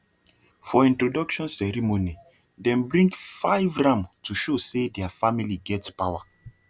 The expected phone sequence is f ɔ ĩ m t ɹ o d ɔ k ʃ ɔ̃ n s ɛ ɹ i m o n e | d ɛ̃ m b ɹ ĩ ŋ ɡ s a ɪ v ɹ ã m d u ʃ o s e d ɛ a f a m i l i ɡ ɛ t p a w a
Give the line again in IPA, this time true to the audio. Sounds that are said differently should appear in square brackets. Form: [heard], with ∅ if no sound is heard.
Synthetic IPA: f ɔ ĩ [n] t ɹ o d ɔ k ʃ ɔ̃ n s ɛ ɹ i m o n [i] | d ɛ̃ m b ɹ ĩ ŋ ɡ [f] a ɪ v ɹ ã m [t] u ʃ o s e d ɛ a f a m i l i ɡ ɛ t p a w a